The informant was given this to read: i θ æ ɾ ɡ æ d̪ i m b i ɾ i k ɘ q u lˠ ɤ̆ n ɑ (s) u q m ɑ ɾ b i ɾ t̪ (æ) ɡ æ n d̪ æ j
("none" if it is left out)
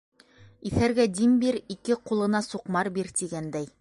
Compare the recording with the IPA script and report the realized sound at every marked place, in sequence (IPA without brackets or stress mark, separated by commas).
s, i